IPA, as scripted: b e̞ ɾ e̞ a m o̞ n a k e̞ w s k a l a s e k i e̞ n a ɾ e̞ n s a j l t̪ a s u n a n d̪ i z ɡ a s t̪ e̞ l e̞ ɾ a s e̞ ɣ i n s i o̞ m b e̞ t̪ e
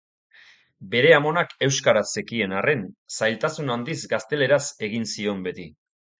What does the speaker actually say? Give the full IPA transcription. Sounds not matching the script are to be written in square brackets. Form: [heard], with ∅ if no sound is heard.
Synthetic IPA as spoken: b e̞ ɾ e̞ a m o̞ n a k e̞ w s k a [ɾ] a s e k i e̞ n a [r] e̞ n s a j l t̪ a s u n a n d̪ i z ɡ a s t̪ e̞ l e̞ ɾ a s e̞ ɣ i n s i o̞ m b e̞ t̪ [i]